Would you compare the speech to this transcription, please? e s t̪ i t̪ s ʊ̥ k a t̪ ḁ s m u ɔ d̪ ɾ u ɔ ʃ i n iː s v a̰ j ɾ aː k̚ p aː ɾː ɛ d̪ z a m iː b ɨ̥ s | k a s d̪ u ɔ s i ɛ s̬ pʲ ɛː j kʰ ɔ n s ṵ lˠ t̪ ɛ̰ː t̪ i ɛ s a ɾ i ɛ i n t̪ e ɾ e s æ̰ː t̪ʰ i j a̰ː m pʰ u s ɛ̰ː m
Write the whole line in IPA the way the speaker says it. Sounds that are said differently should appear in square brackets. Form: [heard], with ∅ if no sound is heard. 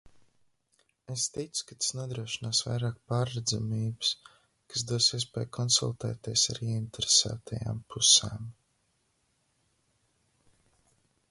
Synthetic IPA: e s t̪ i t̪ s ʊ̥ k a t̪ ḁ s [n] u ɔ d̪ ɾ u ɔ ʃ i n [aː] s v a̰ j ɾ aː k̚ p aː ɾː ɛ d̪ z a m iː b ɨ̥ s | k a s d̪ u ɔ s i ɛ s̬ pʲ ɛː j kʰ ɔ n s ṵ lˠ t̪ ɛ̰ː t̪ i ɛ s a ɾ i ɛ i n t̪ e ɾ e s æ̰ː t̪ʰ [a] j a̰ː m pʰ u s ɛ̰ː m